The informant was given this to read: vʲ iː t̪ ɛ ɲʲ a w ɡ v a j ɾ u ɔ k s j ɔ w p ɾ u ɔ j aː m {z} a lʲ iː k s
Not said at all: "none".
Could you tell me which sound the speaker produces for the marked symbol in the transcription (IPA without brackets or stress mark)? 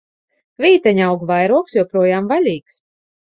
v